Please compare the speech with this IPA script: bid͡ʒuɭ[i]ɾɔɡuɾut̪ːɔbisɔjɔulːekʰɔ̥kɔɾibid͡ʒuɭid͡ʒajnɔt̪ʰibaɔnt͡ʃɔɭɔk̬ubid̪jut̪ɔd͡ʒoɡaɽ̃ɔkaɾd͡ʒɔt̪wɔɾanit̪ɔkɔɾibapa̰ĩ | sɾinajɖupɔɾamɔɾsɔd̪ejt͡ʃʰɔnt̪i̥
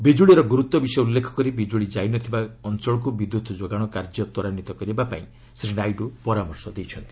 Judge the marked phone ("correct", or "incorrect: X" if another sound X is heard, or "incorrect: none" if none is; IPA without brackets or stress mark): correct